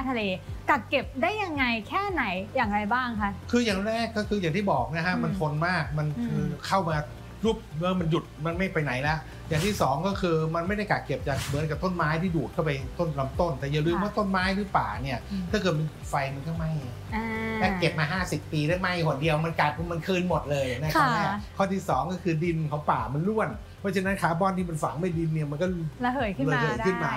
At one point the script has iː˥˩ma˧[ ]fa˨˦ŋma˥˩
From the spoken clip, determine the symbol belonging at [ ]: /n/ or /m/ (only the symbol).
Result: n